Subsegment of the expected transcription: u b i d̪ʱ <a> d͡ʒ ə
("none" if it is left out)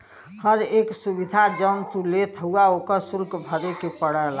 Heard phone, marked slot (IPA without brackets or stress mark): a